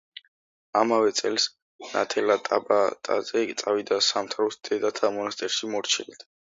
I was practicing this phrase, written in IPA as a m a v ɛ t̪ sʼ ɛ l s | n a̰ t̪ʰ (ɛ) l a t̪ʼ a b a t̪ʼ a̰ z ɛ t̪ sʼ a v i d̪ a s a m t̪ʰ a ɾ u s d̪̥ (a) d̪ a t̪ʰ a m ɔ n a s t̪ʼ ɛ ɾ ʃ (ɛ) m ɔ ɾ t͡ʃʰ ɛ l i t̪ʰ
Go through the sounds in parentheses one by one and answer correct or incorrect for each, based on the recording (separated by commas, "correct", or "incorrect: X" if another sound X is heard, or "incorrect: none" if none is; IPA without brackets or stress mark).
correct, incorrect: ɛ, incorrect: i